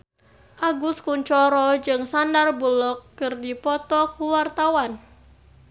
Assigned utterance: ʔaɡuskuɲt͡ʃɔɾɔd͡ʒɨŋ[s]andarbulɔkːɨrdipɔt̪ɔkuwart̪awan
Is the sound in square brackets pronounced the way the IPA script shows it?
yes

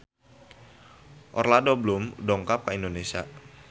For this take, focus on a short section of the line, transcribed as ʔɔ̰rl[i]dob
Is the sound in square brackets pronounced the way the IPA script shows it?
no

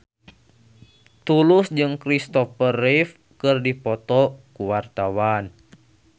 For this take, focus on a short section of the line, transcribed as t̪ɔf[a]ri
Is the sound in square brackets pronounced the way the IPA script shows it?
no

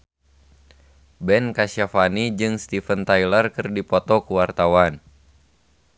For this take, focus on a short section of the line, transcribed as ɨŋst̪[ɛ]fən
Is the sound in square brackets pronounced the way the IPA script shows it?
no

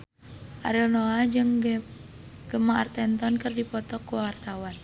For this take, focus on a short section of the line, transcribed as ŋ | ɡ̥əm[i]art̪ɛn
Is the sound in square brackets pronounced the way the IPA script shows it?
no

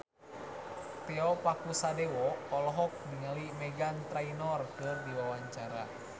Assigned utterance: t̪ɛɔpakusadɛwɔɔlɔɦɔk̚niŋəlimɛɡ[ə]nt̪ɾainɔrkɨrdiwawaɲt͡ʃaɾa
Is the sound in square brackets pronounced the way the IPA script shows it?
no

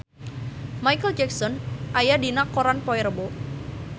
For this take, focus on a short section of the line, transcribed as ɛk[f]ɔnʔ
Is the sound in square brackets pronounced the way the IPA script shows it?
no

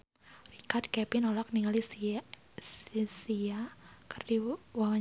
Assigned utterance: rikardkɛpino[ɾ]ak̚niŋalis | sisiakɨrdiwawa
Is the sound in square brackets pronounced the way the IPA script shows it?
no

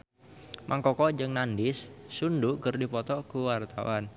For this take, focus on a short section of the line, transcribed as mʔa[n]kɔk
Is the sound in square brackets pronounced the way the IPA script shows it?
no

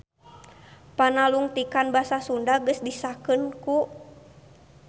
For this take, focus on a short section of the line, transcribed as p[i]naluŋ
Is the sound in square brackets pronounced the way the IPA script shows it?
no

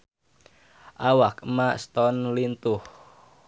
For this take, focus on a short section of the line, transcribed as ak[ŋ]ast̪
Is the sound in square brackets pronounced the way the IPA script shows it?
no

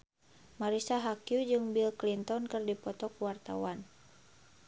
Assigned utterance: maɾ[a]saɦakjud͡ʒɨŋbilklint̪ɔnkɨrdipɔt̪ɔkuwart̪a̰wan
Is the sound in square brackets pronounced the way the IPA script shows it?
no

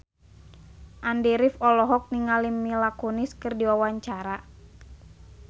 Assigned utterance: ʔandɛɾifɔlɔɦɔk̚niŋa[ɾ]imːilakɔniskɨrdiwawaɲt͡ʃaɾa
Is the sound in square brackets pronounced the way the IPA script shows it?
no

